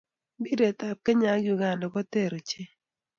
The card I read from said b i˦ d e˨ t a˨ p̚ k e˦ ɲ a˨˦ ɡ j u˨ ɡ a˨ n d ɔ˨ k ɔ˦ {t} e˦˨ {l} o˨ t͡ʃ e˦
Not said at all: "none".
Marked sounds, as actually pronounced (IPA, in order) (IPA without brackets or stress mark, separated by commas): t, ɾ